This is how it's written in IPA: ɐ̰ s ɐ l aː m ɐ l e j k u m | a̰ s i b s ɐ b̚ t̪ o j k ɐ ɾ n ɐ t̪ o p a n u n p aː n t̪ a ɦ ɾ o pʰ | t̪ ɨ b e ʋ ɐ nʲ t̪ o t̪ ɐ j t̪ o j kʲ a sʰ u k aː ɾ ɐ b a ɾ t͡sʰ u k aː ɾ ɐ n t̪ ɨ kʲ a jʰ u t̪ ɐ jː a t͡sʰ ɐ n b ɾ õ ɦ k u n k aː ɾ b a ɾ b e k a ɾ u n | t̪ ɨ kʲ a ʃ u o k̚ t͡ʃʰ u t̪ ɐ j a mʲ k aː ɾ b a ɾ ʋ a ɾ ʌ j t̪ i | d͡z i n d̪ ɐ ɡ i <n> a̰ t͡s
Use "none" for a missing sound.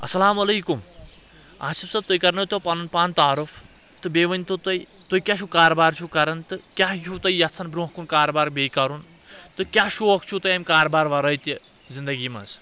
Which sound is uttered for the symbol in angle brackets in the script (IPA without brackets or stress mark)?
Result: m